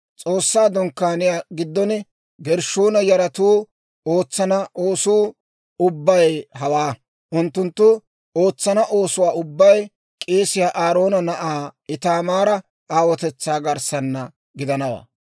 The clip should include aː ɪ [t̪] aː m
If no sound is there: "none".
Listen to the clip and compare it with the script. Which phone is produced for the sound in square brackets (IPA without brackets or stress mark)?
t̪